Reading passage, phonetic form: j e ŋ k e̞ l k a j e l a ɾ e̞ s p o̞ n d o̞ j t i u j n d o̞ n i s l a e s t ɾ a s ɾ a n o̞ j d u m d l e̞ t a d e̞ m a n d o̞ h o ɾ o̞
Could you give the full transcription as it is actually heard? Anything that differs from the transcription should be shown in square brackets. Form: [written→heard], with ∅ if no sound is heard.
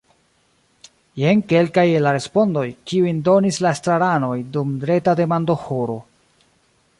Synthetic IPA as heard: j e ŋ k e̞ l k a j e l a ɾ e̞ s p o̞ n d o̞ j [t→k] i u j n d o̞ n i s l a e s t ɾ a [s→∅] ɾ a n o̞ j d u m d [l→ɾ] e̞ t a d e̞ m a n d o̞ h o ɾ o̞